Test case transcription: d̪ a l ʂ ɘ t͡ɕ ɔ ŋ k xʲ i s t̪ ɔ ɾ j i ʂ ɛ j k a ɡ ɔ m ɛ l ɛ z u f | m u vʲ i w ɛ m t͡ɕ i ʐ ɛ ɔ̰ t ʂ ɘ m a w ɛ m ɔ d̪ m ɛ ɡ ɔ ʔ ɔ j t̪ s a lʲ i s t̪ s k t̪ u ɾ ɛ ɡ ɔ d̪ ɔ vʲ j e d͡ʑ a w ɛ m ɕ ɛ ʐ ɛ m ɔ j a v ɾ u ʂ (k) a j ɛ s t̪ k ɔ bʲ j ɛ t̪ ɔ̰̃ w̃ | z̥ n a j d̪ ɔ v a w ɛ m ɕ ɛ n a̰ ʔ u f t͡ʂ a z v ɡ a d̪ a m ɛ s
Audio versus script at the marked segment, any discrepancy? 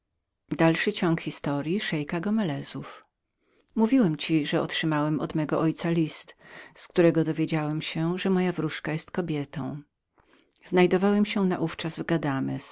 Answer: no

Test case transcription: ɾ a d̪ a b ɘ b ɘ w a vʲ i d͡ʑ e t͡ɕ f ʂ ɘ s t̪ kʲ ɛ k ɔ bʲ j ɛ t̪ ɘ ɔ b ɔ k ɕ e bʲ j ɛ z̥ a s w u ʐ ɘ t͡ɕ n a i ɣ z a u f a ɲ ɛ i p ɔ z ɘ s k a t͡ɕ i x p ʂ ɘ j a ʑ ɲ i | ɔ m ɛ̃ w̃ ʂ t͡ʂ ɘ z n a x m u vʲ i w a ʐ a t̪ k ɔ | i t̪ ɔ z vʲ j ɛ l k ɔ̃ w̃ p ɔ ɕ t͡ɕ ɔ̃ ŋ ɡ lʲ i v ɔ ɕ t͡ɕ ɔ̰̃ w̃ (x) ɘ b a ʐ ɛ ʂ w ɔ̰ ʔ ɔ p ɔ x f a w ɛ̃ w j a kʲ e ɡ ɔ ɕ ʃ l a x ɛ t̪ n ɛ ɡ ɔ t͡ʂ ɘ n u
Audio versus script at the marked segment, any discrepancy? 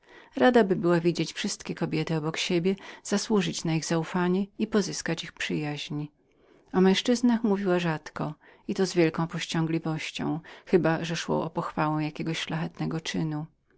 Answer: no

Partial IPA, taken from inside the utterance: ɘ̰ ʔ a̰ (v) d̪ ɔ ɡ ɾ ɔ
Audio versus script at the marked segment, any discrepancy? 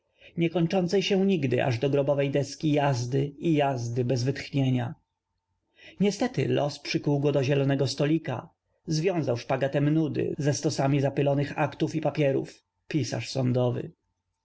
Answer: yes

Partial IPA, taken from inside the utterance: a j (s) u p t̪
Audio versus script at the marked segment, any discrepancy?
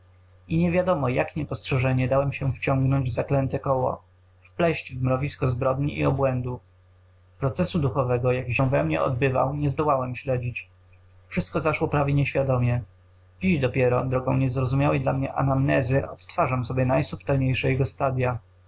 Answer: no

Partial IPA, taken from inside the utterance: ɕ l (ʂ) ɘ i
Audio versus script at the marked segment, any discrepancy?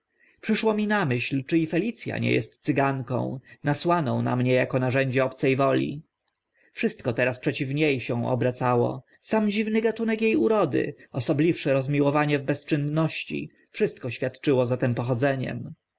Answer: yes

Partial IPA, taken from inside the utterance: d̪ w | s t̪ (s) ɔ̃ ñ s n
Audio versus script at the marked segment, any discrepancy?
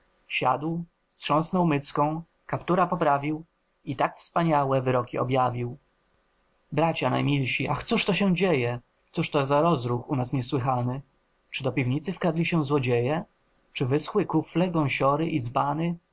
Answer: yes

